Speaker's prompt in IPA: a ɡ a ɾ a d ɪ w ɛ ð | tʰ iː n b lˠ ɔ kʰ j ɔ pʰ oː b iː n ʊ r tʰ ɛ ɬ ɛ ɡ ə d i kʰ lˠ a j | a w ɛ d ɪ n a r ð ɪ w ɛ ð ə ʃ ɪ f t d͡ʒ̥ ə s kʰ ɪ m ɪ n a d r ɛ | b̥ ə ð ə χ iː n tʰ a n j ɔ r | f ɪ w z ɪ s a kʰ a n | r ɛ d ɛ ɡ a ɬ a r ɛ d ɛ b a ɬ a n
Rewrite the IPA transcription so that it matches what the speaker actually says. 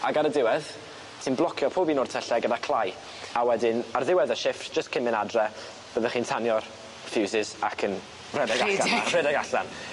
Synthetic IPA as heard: a ɡ a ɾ ə d ɪ w ɛ ð | tʰ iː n b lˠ ɔ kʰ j ɔ pʰ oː b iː n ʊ r tʰ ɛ ɬ ɛ ɡ ə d a kʰ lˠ a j | a w ɛ d ɪ n a r ð ɪ w ɛ ð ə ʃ ɪ f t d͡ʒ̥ ə s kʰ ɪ m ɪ n a d r ɛ | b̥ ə ð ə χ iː n tʰ a n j ɔ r | f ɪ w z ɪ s a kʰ ə n | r ɛ d ɛ ɡ a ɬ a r ɛ d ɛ ɡ a ɬ a n